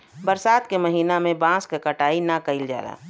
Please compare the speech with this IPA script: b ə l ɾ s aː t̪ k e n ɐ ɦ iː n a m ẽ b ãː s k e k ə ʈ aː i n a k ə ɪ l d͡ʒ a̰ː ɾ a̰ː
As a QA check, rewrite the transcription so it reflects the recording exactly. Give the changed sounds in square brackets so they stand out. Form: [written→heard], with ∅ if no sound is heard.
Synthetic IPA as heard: b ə [l→∅] ɾ s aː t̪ k e [n→m] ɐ ɦ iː n a m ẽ b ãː s k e k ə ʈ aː i n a k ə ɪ l d͡ʒ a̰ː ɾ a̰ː